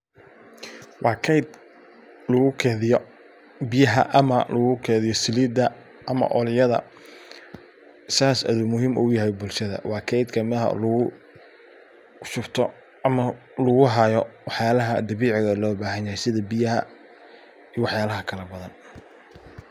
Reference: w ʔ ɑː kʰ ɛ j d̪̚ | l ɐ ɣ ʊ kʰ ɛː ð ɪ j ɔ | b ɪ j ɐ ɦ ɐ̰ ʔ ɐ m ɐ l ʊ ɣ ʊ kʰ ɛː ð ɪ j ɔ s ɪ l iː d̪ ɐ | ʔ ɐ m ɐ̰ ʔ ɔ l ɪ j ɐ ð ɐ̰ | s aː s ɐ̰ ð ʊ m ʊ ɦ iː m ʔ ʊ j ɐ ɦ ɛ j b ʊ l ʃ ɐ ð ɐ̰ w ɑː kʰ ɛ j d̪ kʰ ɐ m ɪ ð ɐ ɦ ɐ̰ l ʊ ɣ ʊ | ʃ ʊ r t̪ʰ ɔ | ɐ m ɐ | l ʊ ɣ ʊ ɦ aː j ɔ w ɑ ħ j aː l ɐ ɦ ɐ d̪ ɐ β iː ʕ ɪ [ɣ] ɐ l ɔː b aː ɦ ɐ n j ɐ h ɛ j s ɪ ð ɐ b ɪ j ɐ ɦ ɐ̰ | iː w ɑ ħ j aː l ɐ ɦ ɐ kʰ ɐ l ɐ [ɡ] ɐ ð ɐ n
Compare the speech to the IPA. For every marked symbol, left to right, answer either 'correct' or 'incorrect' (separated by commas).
correct, incorrect